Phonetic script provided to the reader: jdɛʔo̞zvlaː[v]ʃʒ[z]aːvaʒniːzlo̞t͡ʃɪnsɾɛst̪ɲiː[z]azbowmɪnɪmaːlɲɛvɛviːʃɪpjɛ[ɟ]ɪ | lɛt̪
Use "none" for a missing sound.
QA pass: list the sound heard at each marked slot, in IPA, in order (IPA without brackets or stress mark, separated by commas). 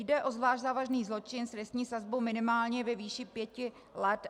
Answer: none, z, s, c